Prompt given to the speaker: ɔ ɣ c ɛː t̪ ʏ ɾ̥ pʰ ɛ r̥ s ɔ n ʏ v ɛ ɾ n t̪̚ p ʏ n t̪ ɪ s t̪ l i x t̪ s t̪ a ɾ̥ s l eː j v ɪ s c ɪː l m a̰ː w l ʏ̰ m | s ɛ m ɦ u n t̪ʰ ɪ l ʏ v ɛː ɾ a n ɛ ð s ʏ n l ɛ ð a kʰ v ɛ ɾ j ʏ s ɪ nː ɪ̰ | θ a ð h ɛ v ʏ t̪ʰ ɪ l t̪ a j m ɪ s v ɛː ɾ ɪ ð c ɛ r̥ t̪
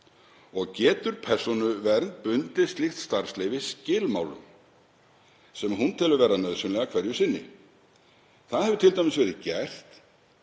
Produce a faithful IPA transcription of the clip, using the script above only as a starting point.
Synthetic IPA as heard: ɔ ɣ c ɛː t̪ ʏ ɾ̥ pʰ ɛ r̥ s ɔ n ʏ v ɛ ɾ n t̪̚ p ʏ n t̪ ɪ s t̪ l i x t̪ s t̪ a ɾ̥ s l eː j v ɪ s c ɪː l m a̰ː w l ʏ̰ m | s ɛ m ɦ u n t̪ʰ ɪ l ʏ v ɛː ɾ a n œ ð s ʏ n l ɛ ɣ a kʰ v ɛ ɾ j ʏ s ɪ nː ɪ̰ | θ a ð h ɛ v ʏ t̪ʰ ɪ l t̪ a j m ɪ s v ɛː ɾ ɪ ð c ɛ r̥ t̪